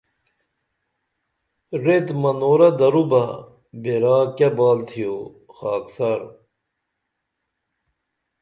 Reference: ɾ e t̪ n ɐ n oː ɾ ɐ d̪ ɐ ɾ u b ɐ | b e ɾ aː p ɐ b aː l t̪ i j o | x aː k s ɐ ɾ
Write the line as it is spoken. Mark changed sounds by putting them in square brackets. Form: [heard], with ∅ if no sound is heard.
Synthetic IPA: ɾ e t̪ [m] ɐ n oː ɾ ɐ d̪ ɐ ɾ u b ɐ | b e ɾ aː [k] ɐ b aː l [t̪ʰ] i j o | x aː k s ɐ ɾ

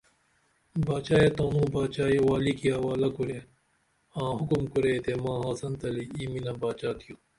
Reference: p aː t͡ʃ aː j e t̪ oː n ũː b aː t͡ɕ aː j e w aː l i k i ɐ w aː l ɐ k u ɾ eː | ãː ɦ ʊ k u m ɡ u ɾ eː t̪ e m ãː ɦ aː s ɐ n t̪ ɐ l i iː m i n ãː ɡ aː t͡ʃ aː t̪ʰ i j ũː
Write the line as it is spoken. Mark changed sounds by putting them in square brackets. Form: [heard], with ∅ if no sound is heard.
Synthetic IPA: [b] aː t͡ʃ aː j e t̪ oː n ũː b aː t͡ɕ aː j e w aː l i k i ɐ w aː l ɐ k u ɾ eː | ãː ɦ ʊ k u m [k] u ɾ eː t̪ e m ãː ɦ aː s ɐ n t̪ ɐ l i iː m i n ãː [b] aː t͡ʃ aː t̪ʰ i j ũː

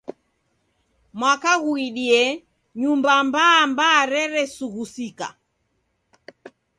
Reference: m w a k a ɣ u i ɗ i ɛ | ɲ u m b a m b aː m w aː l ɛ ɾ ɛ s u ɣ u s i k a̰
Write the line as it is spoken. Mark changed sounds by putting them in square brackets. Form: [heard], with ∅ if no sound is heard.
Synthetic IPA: m w a k a ɣ u i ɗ i ɛ | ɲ u m b a m b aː m [b] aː [ɾ] ɛ ɾ ɛ s u ɣ u s i k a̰

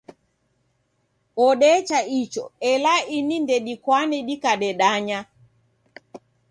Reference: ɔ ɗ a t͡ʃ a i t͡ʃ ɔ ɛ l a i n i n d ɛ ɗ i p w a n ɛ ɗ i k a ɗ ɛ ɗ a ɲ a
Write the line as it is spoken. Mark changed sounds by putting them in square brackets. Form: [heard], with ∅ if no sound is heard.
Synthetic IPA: ɔ ɗ [ɛ] t͡ʃ a i t͡ʃ ɔ ɛ l a i n i n d ɛ ɗ i [k] w a n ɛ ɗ i k a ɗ ɛ ɗ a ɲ a

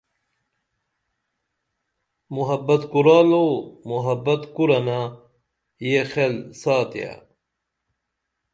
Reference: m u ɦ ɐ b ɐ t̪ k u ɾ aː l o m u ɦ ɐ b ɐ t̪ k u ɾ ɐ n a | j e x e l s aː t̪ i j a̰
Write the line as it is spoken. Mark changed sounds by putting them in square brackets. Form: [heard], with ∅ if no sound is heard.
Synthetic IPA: m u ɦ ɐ b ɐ t̪ k u ɾ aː l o m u ɦ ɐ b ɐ t̪ k u ɾ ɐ n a | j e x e l s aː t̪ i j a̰

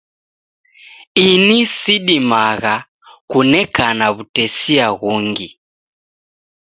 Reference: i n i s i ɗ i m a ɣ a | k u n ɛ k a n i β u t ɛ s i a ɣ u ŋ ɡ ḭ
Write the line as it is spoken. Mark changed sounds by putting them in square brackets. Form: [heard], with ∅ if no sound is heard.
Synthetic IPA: i n i s i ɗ i m a ɣ a | k u n ɛ k a n [a] β u t ɛ s i a ɣ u ŋ ɡ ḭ

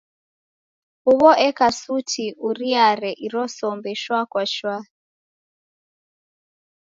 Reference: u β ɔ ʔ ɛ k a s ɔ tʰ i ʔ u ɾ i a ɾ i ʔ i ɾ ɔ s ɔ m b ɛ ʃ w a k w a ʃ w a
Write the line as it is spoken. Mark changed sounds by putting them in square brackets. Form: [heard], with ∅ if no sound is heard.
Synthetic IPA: u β ɔ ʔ ɛ k a s [u] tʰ i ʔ u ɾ i a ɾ [ɛ] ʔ i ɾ ɔ s ɔ m b ɛ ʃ w a k w a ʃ w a

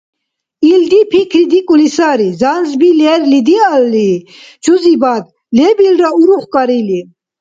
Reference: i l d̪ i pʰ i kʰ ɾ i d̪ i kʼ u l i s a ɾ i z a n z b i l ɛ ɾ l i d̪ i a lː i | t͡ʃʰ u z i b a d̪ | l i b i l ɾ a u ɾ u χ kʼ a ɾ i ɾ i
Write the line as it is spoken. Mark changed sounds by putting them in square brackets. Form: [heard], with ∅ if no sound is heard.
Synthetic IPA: i l d̪ i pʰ i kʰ ɾ i d̪ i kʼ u l i s a ɾ i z a n z b i l ɛ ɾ l i d̪ i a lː i | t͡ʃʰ u z i b a d̪ | l [ɛ] b i l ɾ a u ɾ u χ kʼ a ɾ i [l] i

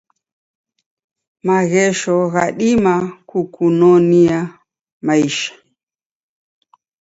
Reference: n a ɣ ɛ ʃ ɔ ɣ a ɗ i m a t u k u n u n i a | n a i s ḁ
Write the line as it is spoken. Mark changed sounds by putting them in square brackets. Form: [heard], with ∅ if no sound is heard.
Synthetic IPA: [m] a ɣ ɛ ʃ ɔ ɣ a ɗ i m a [k] u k u n [ɔ] n i a | [m] a i [ʃ] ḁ

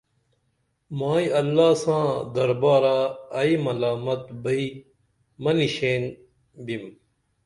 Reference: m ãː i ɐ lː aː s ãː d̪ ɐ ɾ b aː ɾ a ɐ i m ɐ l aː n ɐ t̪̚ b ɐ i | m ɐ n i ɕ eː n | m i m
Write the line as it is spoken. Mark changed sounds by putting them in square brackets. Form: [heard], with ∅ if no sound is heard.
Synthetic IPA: m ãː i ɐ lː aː s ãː d̪ ɐ ɾ b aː ɾ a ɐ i m ɐ l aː [m] ɐ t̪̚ b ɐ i | m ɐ n i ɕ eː n | [b] i m

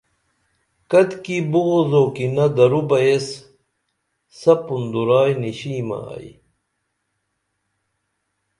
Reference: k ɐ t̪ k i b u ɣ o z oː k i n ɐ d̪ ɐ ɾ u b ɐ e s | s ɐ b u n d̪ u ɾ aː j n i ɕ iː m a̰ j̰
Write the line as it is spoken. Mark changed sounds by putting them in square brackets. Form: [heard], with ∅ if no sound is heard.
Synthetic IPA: k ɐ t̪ k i b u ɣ o z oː k i n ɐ d̪ ɐ ɾ u b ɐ e s | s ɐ [p] u n d̪ u ɾ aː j n i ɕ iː m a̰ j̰

